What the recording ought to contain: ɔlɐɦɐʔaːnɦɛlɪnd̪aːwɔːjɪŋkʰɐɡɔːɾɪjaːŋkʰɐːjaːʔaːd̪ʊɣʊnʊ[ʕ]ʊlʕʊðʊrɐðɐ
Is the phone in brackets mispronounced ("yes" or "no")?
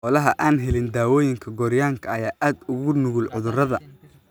yes